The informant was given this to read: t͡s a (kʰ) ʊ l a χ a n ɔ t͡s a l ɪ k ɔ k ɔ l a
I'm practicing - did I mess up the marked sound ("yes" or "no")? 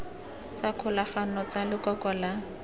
no